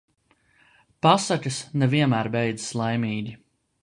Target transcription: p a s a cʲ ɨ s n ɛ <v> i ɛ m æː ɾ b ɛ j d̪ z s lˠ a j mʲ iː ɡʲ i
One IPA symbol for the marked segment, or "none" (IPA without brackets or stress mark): v